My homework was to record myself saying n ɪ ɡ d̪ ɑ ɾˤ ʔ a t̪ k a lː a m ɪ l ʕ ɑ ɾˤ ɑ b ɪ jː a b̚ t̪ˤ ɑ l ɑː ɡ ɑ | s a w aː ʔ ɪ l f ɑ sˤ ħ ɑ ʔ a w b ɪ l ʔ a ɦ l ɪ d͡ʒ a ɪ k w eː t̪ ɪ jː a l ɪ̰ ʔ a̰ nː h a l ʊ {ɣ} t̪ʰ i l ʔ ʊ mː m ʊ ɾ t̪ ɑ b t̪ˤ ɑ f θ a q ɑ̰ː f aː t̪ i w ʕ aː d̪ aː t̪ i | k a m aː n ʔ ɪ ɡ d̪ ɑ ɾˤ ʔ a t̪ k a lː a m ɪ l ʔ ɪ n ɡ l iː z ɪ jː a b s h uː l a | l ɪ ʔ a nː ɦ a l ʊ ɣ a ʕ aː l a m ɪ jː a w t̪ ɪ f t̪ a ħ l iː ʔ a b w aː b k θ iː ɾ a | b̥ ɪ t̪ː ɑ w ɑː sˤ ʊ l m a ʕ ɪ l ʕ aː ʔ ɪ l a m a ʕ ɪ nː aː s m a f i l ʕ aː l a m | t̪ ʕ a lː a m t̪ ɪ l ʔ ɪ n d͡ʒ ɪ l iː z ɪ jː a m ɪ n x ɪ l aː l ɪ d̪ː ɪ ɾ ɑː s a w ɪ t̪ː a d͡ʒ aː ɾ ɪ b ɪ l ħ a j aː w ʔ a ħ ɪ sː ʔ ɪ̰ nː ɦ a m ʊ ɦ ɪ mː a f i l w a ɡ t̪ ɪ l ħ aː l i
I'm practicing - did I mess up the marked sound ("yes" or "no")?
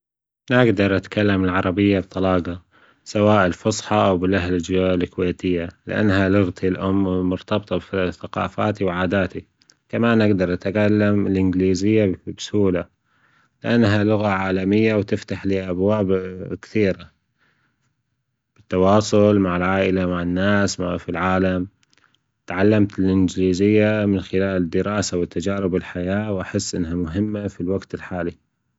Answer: no